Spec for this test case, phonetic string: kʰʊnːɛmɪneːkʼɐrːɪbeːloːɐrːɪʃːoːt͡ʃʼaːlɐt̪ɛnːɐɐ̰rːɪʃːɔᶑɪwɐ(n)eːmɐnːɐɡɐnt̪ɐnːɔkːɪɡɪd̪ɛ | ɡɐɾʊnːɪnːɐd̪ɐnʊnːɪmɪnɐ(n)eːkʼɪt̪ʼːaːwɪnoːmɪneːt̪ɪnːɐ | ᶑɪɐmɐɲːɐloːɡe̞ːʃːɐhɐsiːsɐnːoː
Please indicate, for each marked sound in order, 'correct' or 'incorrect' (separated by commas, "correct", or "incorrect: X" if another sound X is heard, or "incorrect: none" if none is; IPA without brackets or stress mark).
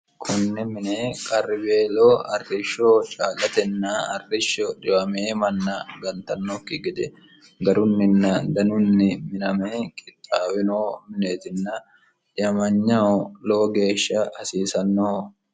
incorrect: m, incorrect: m